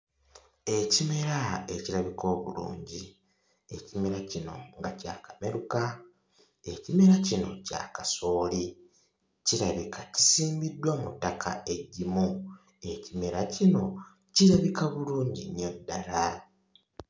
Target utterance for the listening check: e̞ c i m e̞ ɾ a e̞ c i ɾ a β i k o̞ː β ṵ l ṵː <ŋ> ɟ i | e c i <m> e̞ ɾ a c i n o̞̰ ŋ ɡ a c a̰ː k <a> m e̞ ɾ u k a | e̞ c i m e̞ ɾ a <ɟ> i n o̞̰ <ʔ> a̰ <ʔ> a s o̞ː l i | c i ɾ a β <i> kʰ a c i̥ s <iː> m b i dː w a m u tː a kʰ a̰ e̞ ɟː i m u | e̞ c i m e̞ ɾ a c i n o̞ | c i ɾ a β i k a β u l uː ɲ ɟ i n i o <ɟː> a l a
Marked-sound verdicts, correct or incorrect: incorrect: ɲ, correct, correct, incorrect: c, incorrect: c, incorrect: k, correct, correct, incorrect: dː

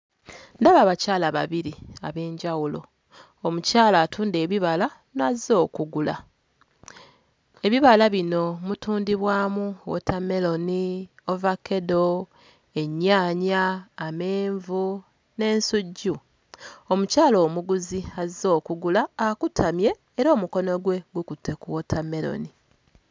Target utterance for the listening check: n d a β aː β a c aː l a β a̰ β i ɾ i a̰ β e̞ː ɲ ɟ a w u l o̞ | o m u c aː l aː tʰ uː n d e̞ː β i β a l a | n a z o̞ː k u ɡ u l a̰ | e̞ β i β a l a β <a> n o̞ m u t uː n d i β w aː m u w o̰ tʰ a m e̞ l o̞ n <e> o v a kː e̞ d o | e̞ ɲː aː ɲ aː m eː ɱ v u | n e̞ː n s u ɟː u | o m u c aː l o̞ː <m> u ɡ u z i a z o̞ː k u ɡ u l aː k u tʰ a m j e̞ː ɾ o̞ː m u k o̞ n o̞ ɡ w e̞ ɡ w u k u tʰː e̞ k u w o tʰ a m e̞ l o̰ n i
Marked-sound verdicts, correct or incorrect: incorrect: i, incorrect: i, correct

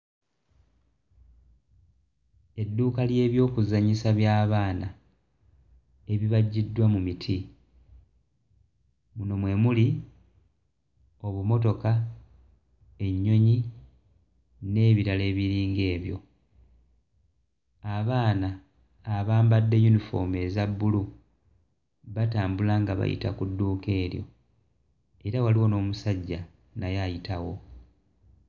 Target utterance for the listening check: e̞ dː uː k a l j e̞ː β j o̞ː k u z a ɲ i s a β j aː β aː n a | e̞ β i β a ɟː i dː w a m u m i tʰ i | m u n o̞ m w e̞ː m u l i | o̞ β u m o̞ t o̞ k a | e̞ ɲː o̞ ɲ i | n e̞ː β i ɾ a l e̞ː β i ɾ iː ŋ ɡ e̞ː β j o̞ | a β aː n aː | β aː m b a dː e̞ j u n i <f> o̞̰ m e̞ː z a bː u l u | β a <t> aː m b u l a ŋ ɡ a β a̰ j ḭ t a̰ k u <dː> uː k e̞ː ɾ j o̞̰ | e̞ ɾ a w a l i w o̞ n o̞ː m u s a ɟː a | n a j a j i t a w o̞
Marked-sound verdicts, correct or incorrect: correct, correct, correct

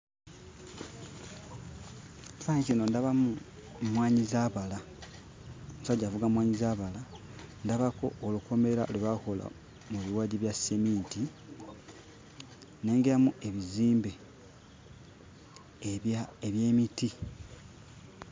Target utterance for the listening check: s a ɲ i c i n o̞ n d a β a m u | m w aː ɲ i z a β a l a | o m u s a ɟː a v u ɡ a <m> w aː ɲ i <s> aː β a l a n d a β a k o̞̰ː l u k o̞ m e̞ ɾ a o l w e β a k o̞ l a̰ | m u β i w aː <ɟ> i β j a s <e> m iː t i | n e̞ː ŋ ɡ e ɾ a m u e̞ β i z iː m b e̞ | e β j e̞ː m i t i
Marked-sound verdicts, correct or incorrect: correct, incorrect: z, correct, correct

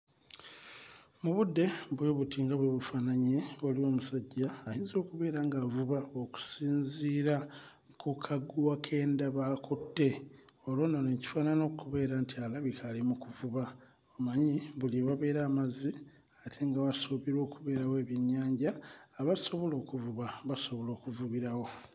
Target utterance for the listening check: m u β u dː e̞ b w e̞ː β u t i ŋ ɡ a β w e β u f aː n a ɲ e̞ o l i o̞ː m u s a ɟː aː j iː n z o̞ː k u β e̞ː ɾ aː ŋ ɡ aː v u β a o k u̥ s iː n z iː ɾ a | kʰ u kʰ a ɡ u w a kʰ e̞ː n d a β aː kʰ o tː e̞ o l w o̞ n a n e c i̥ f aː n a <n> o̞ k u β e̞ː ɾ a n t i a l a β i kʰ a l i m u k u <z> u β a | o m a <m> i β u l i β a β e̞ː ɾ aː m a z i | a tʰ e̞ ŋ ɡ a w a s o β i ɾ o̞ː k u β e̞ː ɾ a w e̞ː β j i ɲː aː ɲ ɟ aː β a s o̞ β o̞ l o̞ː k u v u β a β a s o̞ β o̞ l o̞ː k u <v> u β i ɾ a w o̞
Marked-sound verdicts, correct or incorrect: correct, incorrect: v, incorrect: ɲ, correct

